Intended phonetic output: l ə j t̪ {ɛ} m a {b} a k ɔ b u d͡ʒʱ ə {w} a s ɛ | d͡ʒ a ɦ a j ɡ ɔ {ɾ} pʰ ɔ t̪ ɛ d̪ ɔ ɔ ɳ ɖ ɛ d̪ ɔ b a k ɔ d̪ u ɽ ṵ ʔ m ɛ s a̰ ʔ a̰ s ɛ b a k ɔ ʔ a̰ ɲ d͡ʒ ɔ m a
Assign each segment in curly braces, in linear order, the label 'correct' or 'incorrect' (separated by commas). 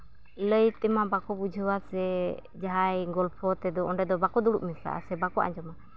correct, correct, correct, incorrect